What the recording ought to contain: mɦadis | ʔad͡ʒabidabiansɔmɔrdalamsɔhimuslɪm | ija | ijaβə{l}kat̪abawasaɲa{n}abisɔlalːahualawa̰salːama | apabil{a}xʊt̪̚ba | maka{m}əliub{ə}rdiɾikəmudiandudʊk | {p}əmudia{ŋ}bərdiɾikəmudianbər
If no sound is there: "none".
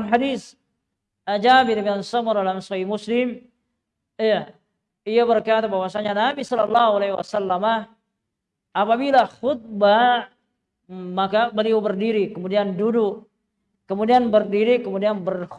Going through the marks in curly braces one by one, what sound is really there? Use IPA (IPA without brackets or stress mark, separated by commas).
r, n, a, b, ə, k, n